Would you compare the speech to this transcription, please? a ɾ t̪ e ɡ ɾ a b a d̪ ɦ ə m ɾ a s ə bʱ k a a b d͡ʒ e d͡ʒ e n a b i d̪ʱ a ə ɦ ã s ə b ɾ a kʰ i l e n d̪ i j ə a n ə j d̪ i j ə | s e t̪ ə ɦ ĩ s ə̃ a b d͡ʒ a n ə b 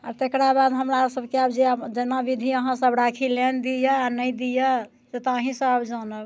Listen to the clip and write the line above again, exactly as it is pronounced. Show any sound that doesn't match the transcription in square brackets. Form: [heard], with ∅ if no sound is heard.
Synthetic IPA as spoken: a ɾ t̪ e [k] ɾ a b a d̪ ɦ ə m ɾ a s ə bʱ k [e] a b d͡ʒ e d͡ʒ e n a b i d̪ʱ [i] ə ɦ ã s ə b ɾ a kʰ i l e n d̪ i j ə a n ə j d̪ i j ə | s e t̪ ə ɦ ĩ s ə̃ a b d͡ʒ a n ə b